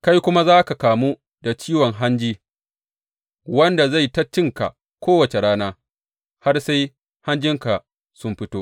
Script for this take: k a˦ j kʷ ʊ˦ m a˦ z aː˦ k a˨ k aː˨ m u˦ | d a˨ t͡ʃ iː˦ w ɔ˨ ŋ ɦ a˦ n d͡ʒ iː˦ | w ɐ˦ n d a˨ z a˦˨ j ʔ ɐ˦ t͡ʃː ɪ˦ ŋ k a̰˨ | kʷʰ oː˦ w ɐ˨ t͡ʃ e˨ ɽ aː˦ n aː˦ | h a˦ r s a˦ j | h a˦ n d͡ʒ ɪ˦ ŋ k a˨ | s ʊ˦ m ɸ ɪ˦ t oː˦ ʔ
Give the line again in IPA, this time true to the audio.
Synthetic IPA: k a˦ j kʷ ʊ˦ m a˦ z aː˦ k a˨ k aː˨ m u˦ | d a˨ t͡ʃ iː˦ w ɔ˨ ŋ ɦ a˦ n d͡ʒ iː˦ | w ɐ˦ n d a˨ z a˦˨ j t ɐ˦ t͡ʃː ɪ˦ ŋ k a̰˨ | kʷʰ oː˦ w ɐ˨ t͡ʃ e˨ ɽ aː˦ n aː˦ | h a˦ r s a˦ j | h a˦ n d͡ʒ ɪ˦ ŋ k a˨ | s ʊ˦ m ɸ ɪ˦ t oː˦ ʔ